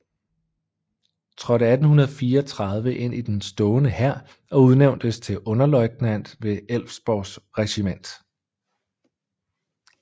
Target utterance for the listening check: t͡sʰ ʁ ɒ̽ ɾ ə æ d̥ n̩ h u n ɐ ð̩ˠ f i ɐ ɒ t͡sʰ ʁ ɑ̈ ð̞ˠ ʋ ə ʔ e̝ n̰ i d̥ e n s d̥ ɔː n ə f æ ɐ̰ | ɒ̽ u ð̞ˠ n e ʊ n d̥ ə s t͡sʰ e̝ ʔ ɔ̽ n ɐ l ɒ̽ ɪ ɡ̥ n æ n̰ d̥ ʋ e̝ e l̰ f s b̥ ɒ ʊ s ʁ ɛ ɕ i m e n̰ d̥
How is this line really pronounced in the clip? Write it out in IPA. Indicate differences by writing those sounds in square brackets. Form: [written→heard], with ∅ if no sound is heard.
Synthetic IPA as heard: t͡sʰ ʁ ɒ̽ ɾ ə æ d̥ n̩ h u n ɐ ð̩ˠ f [i→iː] ɐ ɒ t͡sʰ ʁ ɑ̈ ð̞ˠ ʋ ə ʔ e̝ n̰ i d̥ e n s d̥ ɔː n ə [f→h] æ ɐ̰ | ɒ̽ u ð̞ˠ n e ʊ n d̥ ə s t͡sʰ e̝ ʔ ɔ̽ n ɐ l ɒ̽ ɪ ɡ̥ n æ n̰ d̥ ʋ e̝ e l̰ f s b̥ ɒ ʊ s ʁ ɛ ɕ i m e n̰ d̥